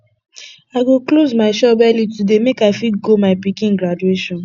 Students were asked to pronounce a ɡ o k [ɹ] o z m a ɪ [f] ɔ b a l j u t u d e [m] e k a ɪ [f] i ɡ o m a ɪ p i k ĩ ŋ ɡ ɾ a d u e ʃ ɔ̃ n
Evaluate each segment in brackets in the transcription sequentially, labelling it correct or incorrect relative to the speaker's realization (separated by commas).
incorrect, incorrect, correct, correct